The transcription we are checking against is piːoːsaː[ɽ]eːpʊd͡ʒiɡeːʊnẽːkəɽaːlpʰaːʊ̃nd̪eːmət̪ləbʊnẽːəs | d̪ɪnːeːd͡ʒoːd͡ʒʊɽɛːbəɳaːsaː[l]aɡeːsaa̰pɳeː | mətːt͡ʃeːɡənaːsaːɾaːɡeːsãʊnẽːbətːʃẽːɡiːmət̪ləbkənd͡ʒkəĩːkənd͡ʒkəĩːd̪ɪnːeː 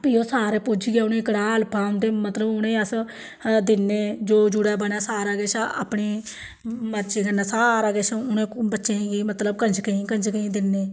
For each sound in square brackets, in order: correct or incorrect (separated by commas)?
incorrect, incorrect